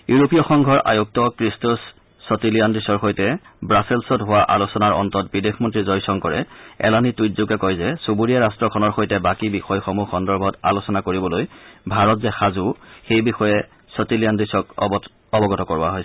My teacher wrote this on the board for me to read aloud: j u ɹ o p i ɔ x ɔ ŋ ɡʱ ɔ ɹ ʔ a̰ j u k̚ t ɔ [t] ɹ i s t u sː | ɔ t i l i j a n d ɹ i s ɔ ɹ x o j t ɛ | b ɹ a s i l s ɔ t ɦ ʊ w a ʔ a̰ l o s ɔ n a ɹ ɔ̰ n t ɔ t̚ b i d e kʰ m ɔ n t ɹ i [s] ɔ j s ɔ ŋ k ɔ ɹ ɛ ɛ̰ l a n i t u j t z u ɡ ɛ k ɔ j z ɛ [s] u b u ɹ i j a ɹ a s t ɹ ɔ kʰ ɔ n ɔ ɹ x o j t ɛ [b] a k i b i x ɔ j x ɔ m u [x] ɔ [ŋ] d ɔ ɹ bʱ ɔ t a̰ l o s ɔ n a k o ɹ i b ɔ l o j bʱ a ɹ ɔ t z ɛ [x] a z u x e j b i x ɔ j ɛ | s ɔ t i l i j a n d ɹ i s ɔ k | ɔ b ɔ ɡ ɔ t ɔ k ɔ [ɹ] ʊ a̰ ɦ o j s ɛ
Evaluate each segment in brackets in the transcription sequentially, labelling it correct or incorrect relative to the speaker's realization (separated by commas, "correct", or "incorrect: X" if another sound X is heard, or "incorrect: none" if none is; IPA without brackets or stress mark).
incorrect: k, incorrect: z, correct, correct, correct, incorrect: n, correct, correct